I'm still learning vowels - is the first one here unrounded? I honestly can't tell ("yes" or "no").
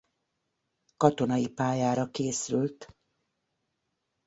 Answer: no